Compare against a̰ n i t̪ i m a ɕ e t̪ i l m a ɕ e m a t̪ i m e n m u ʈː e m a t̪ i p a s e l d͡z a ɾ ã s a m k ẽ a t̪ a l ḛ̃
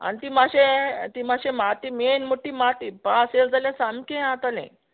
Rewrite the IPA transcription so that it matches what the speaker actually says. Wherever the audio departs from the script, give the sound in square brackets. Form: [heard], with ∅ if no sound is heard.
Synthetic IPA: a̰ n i t̪ i m a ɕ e t̪ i [∅] m a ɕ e m a t̪ i m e n m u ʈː [i] m a t̪ i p a s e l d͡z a [l] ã s a m k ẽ a t̪ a l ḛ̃